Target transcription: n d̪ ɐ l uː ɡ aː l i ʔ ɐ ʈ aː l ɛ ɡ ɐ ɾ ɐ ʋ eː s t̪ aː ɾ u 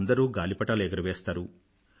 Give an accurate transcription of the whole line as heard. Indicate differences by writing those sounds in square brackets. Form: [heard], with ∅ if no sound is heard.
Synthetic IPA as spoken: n d̪ ɐ [ɾ] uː ɡ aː l i [p] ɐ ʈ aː l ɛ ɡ ɐ ɾ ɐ ʋ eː s t̪ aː ɾ u